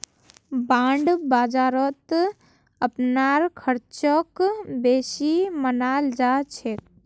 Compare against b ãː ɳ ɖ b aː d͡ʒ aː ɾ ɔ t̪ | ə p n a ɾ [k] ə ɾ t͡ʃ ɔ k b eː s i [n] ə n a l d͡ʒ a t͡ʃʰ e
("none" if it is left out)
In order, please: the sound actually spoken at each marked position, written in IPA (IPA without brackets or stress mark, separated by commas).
kʰ, m